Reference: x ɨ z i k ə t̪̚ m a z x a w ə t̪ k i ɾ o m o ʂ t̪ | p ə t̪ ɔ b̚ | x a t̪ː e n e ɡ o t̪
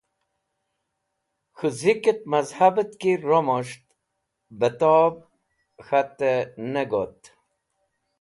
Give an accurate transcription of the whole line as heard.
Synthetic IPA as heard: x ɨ z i k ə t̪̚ m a z h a b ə t̪ k i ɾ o m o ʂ t̪ | b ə t̪ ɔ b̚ | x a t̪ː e n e ɡ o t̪